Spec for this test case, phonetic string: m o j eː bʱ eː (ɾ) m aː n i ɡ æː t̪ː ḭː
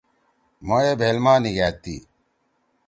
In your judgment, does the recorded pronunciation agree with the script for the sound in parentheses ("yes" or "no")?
no